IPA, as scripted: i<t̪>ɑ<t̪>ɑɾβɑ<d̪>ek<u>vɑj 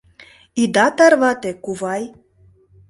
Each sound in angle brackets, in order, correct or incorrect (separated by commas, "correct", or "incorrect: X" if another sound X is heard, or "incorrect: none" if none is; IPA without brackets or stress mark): incorrect: d̪, correct, incorrect: t̪, correct